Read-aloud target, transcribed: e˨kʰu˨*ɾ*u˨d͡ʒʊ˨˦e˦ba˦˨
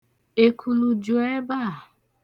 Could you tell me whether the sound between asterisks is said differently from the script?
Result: yes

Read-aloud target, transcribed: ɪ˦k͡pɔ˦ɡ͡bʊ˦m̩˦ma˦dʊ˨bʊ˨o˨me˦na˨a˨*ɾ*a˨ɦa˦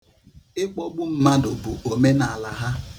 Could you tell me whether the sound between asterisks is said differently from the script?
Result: yes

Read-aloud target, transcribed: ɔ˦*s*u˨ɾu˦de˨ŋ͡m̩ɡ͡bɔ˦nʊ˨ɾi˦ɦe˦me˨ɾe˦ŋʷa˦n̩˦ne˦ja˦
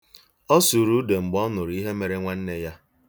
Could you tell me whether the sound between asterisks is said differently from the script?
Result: no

